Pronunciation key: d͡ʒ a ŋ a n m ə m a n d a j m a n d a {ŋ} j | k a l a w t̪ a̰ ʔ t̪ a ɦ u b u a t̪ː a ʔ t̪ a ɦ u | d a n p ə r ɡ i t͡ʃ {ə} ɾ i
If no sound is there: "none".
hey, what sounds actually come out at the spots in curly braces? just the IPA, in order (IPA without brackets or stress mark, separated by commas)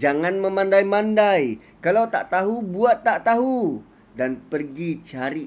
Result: none, a